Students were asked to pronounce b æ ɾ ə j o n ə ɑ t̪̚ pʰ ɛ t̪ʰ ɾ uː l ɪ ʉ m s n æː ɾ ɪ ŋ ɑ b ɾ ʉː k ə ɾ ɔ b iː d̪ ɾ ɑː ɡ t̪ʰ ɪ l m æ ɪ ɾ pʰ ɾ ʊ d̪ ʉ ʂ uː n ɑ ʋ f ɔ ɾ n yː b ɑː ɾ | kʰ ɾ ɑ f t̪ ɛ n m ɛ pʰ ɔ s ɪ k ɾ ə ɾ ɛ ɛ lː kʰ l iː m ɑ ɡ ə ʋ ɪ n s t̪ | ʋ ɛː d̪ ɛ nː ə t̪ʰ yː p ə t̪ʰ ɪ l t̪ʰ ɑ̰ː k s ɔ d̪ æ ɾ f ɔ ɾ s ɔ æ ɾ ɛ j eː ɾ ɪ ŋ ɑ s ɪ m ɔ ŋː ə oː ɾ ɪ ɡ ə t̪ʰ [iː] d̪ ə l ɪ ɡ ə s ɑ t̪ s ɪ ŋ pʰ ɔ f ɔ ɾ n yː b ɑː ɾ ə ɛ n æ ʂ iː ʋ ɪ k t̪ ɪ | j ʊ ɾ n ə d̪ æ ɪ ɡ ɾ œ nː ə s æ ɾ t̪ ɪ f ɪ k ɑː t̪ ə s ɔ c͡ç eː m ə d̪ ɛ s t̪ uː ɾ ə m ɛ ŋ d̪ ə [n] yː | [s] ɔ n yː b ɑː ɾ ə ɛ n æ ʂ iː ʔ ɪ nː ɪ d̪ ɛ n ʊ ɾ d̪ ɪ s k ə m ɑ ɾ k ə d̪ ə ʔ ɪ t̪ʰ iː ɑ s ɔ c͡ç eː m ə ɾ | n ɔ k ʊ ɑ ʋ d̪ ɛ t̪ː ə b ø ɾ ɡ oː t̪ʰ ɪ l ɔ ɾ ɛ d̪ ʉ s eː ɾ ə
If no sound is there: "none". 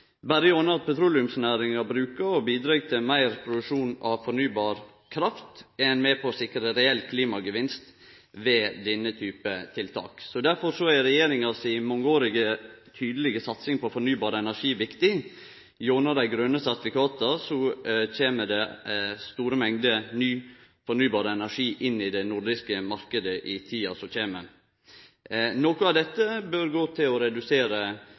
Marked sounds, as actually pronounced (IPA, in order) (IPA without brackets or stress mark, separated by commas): yː, n, f